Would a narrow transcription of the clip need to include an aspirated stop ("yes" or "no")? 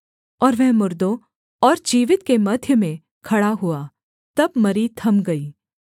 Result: yes